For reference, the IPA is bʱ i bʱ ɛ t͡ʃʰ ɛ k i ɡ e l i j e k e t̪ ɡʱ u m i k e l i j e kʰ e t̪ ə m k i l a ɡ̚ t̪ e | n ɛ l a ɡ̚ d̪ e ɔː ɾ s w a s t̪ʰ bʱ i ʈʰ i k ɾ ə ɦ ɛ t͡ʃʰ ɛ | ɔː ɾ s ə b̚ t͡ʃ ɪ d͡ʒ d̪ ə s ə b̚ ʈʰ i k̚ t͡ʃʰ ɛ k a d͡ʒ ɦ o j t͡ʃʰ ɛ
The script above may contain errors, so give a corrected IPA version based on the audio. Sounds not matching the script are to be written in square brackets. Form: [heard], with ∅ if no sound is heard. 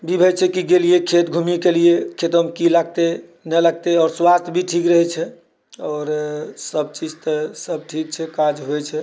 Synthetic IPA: bʱ i bʱ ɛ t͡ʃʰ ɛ k i ɡ e l i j e [kʰ] e t̪ ɡʱ u m i k e l i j e kʰ e t̪ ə m k i l a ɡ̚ t̪ e | n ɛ l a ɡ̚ [t̪] e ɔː ɾ s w a s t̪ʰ bʱ i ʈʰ i k ɾ ə ɦ ɛ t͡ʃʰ ɛ | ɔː ɾ s ə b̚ t͡ʃ [i] d͡ʒ [t̪] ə s ə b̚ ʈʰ i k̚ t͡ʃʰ ɛ k a d͡ʒ ɦ o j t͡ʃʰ ɛ